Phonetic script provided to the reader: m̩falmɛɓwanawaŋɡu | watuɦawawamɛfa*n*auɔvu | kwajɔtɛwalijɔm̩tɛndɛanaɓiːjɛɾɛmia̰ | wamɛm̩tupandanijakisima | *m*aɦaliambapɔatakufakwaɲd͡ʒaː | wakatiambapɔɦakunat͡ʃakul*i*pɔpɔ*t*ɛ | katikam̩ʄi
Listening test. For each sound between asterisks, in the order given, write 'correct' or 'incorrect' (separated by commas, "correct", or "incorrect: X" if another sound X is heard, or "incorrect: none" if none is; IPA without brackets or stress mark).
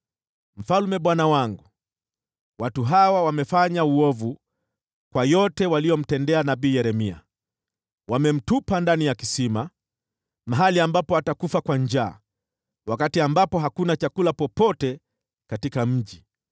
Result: incorrect: ɲ, correct, incorrect: a, correct